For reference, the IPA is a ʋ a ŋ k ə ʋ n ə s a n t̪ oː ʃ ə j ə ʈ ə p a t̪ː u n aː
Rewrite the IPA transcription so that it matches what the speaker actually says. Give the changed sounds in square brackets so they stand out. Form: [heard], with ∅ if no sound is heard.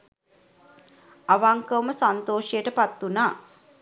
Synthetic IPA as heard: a ʋ a ŋ k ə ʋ [m] ə s a n t̪ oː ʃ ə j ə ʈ ə p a t̪ː u n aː